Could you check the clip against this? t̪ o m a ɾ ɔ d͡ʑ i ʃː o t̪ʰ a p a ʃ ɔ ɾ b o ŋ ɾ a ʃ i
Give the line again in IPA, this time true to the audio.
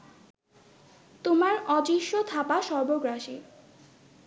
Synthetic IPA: t̪ o m a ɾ ɔ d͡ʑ i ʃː o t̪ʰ a p a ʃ ɔ ɾ b o ɡ ɾ a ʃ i